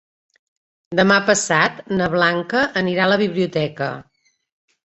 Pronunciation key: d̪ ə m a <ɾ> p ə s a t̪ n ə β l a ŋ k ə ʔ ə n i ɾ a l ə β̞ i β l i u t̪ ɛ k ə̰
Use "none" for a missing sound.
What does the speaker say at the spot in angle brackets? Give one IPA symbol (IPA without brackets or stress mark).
none